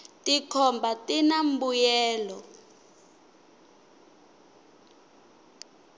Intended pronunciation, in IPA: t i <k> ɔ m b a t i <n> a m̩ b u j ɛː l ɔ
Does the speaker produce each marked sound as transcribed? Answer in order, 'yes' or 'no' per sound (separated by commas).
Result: no, yes